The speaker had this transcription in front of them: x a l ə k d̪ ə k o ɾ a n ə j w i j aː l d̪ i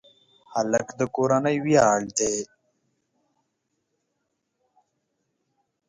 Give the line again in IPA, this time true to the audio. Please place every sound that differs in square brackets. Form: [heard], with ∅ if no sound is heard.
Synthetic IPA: [h] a l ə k d̪ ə k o ɾ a n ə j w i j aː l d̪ [e]